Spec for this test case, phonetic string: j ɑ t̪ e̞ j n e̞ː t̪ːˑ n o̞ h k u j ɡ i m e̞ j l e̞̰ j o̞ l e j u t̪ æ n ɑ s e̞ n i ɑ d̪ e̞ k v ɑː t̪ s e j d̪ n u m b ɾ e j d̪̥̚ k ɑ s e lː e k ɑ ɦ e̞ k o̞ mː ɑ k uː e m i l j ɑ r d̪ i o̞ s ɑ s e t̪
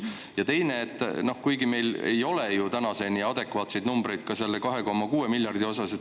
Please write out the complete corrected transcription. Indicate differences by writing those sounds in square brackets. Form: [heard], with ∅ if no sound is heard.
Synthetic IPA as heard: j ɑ t̪ e̞ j n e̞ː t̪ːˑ n o̞ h k u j ɡ i m e̞ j l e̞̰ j o̞ l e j u t̪ æ n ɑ s e̞ n i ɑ d̪ e̞ k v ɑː t̪ s e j d̪ n u m b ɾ e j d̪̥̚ k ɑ s e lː e k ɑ ɦ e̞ k o̞ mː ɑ k uː e m i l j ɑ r d̪ i o̞ s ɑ s e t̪